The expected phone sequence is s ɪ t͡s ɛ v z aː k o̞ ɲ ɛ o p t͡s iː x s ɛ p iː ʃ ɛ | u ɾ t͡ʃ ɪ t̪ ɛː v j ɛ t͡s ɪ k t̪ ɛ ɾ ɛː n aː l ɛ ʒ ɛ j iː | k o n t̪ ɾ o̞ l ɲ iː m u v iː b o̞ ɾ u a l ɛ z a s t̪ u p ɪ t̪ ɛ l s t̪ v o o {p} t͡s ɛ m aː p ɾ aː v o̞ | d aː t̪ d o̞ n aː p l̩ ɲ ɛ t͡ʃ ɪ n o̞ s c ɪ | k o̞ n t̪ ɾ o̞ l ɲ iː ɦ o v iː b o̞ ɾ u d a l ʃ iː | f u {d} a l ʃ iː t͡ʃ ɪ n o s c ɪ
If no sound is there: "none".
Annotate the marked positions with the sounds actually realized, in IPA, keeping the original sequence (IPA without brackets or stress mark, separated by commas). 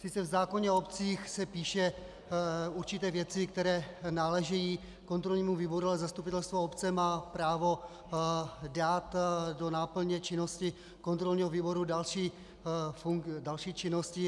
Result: p, d